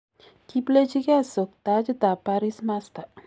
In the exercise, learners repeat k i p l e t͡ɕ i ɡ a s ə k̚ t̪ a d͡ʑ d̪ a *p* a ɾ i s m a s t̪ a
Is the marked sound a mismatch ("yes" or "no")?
no